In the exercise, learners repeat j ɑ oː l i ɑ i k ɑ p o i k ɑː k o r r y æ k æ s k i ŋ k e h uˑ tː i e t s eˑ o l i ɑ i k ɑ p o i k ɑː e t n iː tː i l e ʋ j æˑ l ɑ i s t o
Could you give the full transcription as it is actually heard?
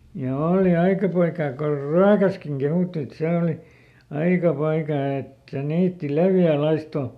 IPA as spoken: j ɑ oː l i ɑ i k ɑ p o i k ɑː k o r r y æ k æ s k i ŋ k e h uˑ tː i e t s eˑ o l i ɑ i k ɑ p o i k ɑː e t n iː tː i l e ʋ j æˑ l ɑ i s t o